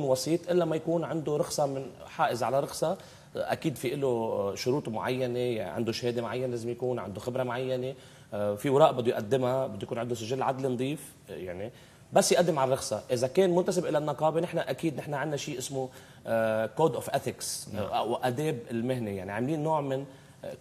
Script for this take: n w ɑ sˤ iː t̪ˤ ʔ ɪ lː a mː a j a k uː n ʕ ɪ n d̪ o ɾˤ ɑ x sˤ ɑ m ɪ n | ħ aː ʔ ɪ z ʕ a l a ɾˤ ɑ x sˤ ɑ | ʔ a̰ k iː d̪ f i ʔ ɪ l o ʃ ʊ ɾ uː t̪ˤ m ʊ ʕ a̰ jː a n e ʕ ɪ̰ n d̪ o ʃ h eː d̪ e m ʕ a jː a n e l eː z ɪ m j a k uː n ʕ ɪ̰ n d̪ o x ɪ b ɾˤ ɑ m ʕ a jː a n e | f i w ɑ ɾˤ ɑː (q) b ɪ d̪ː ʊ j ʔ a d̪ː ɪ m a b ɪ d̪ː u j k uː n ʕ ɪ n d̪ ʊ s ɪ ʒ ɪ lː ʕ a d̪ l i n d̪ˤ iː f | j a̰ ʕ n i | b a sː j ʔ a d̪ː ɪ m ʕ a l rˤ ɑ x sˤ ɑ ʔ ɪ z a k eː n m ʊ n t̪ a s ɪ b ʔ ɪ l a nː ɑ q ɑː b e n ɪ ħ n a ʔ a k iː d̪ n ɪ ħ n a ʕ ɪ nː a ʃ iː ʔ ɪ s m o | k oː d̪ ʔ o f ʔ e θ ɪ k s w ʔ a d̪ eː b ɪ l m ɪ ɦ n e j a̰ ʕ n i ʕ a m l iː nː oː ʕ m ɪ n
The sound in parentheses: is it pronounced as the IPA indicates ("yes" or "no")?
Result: no